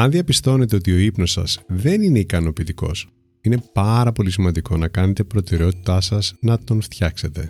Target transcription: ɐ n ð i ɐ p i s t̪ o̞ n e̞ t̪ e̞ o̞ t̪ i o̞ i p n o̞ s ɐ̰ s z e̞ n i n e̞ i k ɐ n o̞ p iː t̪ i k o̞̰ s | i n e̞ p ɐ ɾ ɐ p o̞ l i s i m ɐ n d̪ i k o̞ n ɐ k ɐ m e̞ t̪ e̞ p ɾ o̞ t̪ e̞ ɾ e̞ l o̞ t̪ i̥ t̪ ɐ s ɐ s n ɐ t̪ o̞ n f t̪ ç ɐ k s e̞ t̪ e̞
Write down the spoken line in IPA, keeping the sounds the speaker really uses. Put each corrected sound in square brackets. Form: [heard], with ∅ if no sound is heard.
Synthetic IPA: ɐ n ð i ɐ p i s t̪ o̞ n e̞ t̪ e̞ o̞ t̪ i o̞ i p n o̞ s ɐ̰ s [ð] e̞ n i n e̞ i k ɐ n o̞ p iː t̪ i k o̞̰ s | i n e̞ p ɐ ɾ ɐ p o̞ l i s i m ɐ n d̪ i k o̞ n ɐ k ɐ [n] e̞ t̪ e̞ p ɾ o̞ t̪ e̞ ɾ e̞ [∅] o̞ t̪ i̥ t̪ ɐ s ɐ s n ɐ t̪ o̞ n f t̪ ç ɐ k s e̞ t̪ e̞